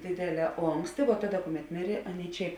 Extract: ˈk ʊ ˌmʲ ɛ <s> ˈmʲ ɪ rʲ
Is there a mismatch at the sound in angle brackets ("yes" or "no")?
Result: yes